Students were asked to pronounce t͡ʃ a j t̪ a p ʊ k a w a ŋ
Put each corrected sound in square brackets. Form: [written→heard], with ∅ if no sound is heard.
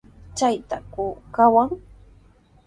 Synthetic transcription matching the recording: t͡ʃ a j t̪ a [p→k] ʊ k a w a ŋ